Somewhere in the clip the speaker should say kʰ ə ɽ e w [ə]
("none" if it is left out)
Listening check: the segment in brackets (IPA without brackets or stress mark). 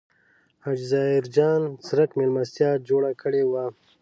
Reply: a